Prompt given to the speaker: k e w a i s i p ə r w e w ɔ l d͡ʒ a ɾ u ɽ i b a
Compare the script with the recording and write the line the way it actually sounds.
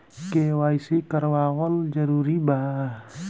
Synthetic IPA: k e w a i s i k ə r w a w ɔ l d͡ʒ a ɾ u ɾ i b a